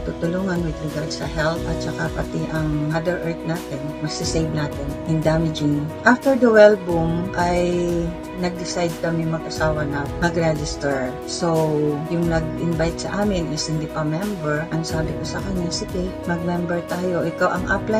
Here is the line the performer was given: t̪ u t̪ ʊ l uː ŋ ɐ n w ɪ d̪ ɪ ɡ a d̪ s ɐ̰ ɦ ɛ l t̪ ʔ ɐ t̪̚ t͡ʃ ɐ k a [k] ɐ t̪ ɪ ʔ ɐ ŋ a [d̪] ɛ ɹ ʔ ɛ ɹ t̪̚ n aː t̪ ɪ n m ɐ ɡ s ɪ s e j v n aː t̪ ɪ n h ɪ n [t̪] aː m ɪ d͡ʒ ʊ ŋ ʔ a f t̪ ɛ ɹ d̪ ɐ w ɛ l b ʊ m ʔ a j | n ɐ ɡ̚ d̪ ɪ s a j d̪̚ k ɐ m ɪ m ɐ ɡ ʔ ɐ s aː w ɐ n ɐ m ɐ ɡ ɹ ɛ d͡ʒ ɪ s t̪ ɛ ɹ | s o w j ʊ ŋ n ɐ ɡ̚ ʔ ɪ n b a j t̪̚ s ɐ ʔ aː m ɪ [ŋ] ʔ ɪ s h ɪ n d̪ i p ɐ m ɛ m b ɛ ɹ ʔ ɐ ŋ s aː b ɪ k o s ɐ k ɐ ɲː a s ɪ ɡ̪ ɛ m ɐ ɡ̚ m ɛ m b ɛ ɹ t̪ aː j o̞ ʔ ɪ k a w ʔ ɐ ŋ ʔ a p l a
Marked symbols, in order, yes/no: no, yes, no, no

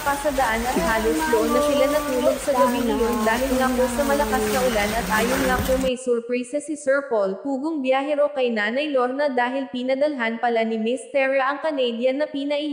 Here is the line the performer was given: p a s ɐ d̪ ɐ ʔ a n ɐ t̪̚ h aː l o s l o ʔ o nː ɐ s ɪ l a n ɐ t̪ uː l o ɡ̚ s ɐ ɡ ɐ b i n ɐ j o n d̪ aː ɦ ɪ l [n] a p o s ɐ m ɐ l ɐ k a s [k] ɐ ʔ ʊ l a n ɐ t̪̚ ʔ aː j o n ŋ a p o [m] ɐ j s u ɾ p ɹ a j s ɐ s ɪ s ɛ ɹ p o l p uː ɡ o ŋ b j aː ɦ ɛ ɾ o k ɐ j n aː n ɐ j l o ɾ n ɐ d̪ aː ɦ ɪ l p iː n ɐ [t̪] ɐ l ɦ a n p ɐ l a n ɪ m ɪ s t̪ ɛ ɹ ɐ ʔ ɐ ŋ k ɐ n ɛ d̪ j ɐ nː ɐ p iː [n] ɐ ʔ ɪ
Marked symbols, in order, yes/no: no, yes, yes, no, yes

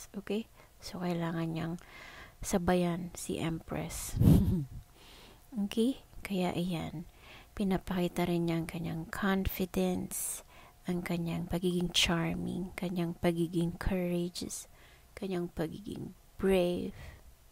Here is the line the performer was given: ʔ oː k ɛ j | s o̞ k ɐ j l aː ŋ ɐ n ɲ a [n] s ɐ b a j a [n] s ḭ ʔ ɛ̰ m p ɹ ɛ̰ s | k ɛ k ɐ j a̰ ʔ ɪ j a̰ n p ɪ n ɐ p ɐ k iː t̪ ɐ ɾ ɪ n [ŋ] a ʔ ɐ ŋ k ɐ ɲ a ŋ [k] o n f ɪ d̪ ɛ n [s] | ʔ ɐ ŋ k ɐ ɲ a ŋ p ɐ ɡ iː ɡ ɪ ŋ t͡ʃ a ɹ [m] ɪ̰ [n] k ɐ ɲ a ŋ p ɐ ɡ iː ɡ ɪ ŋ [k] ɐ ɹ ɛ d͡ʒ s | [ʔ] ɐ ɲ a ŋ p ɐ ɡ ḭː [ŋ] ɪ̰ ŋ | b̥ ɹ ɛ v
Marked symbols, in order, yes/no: no, yes, no, no, yes, yes, no, no, no, no

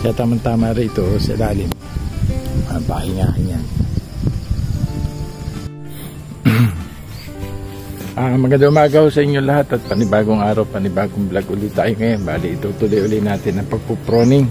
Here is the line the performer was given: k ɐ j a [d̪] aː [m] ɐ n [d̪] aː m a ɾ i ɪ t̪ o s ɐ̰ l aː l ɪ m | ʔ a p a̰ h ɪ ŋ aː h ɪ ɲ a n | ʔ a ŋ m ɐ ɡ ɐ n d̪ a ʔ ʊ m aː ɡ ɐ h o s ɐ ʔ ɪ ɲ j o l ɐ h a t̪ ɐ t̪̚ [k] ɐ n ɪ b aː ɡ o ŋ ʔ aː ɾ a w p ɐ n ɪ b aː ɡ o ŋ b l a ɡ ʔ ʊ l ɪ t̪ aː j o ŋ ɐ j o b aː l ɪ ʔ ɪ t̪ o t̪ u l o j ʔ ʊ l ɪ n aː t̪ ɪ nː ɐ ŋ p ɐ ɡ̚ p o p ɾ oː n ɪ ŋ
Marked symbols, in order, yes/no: no, yes, no, no

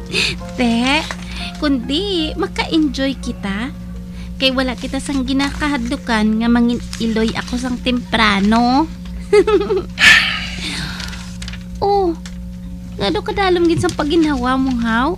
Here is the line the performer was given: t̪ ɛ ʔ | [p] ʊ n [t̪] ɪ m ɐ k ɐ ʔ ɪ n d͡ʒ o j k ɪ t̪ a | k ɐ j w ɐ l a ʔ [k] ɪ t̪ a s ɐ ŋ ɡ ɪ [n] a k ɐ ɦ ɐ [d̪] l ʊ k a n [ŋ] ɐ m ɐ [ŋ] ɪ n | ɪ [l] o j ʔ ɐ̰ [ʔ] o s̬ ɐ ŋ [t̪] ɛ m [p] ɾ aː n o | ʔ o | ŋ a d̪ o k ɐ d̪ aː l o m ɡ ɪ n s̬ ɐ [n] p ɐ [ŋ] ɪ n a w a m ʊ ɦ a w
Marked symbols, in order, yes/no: no, no, yes, yes, yes, yes, yes, yes, no, yes, yes, no, no

